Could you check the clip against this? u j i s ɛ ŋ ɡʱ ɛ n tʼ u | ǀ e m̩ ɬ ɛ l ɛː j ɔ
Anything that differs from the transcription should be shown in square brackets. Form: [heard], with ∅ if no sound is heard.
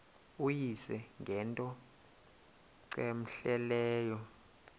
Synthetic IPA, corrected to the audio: u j i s ɛ ŋ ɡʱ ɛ n tʼ [ɔ] | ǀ e m̩ ɬ ɛ l ɛː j ɔ